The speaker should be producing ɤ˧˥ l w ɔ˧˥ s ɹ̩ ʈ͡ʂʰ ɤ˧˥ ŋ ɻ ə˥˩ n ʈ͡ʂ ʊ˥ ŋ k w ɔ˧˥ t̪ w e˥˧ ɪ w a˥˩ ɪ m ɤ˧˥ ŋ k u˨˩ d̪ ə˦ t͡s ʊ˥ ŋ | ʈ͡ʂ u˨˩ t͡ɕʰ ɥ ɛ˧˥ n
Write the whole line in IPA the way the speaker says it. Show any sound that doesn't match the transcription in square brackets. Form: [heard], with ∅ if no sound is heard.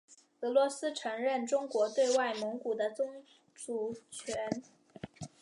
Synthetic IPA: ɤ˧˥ l w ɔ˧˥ s ɹ̩ ʈ͡ʂʰ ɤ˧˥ ŋ ɻ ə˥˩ n ʈ͡ʂ ʊ˥ ŋ k w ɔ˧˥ t̪ w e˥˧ ɪ w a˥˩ ɪ m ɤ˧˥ ŋ k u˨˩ d̪ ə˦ t͡s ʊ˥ ŋ | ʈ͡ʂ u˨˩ t͡ɕʰ ɥ ɛ˧˥ n